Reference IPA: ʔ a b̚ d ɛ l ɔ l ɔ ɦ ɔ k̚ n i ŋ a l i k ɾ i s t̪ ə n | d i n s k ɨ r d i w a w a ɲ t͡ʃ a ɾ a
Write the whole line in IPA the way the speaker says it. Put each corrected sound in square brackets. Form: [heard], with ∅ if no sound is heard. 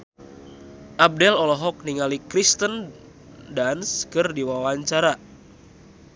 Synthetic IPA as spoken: ʔ a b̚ d ɛ l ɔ l ɔ ɦ ɔ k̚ n i ŋ a l i k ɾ i s t̪ ə n | d [a] n s k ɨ r d i w a w a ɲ t͡ʃ a ɾ a

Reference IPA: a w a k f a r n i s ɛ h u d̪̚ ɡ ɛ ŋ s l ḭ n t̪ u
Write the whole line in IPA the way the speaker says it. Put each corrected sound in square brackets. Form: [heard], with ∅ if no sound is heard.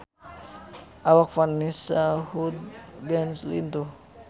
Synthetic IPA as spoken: a w a k f a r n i s [a] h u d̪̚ ɡ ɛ [n] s l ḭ n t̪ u

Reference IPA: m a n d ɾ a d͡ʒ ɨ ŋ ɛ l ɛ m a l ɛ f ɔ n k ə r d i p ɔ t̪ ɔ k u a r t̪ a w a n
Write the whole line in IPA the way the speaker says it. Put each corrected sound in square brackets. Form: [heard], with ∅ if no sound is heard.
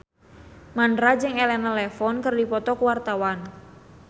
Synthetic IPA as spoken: m a n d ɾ a d͡ʒ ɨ ŋ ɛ l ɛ [n] a l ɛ f ɔ n k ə r d i p ɔ t̪ ɔ k [w] a r t̪ a w a n

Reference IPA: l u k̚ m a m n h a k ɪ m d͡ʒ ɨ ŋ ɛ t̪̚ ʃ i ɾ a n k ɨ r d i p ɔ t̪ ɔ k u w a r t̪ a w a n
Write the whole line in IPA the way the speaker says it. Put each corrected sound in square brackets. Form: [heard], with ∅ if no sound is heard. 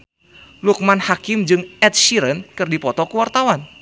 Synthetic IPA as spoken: l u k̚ m a [∅] n h a k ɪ m d͡ʒ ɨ ŋ ɛ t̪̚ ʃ i ɾ [ə] n k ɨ r d i p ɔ t̪ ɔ k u w a r t̪ a w a n

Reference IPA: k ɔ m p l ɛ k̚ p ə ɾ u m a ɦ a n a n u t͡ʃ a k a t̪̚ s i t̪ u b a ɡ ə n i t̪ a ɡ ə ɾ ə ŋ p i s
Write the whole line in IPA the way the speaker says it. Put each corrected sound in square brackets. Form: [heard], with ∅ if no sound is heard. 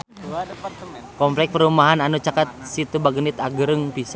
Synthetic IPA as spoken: k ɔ m p l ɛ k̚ p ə ɾ u m a ɦ a n a n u t͡ʃ a k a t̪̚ s i t̪ u b a ɡ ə n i t̪ a ɡ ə ɾ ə ŋ p i s

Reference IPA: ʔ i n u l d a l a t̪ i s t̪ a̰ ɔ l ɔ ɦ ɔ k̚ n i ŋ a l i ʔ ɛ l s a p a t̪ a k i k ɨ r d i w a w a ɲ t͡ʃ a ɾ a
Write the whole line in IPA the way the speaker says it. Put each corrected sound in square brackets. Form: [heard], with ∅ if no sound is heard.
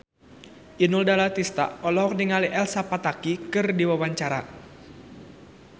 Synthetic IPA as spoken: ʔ i n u l d a l a t̪ i s t̪ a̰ ɔ l ɔ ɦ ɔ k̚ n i ŋ a l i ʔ ɛ l s a p a t̪ a k i k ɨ r d i w a w a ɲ t͡ʃ a ɾ a

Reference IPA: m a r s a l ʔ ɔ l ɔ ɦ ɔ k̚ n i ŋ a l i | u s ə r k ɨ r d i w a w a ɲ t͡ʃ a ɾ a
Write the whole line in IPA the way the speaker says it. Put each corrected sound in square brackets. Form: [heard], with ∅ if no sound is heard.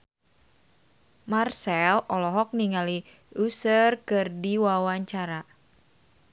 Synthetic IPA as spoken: m a r s [ɛ] l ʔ ɔ l ɔ ɦ ɔ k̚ n i ŋ a l i | u s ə r k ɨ r d i w a w a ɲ t͡ʃ a ɾ a

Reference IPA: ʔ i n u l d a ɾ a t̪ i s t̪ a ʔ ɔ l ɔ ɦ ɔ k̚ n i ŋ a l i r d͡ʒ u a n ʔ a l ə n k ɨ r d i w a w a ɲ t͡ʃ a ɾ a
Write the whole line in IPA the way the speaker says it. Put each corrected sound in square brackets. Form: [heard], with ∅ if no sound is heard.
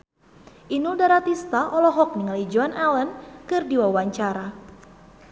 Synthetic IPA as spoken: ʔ i n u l d a ɾ a t̪ i s t̪ a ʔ ɔ l ɔ ɦ ɔ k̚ n i ŋ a l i [∅] d͡ʒ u a n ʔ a l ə n k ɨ r d i w a w a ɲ t͡ʃ a ɾ a

